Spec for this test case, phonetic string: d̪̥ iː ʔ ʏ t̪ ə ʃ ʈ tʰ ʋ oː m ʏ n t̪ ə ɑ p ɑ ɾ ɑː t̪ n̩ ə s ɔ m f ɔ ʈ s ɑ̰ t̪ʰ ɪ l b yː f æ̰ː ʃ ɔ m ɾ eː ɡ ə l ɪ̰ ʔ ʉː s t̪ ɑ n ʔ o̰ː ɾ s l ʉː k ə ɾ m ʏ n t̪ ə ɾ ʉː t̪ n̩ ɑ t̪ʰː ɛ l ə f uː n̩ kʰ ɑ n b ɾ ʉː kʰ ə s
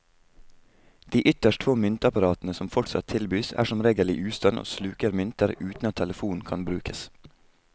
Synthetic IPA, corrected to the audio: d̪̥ iː ʔ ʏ t̪ ə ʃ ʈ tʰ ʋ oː m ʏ n t̪ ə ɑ p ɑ ɾ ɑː t̪ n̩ ə s ɔ m f ɔ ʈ s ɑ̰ t̪ʰ ɪ l b yː s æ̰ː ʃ ɔ m ɾ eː ɡ ə l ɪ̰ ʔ ʉː s t̪ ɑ n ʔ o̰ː s l ʉː k ə ɾ m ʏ n t̪ ə ɾ ʉː t̪ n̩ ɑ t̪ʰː ɛ l ə f uː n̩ kʰ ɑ n b ɾ ʉː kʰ ə s

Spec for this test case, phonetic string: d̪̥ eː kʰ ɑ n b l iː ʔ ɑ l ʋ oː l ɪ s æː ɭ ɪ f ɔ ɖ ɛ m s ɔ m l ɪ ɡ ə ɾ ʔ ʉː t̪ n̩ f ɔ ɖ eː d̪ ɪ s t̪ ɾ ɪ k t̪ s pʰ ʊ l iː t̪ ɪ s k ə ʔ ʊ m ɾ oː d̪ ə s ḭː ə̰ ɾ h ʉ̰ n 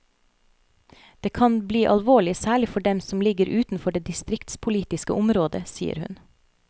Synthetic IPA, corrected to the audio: d̪̥ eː kʰ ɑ n b l iː ʔ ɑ l ʋ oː ɭ ɪ s æː ɭ ɪ f ɔ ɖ ɛ m s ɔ m l ɪ ɡ ə ɾ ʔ ʉː t̪ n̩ f ɔ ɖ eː d̪ ɪ s t̪ ɾ ɪ k t̪ s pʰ ʊ l iː t̪ ɪ s k ə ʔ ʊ m ɾ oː d̪ ə s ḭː ə̰ ɾ h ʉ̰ n

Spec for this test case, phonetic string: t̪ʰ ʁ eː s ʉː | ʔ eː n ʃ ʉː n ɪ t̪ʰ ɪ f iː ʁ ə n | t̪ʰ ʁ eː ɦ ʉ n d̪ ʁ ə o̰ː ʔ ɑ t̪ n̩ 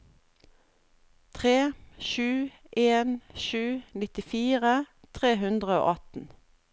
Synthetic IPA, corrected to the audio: t̪ʰ ʁ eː ʃ ʉː | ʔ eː n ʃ ʉː n ɪ t̪ ɪ f iː ʁ ə | t̪ʰ ʁ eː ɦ ʉ n d̪ ʁ ə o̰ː ʔ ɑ t̪ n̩

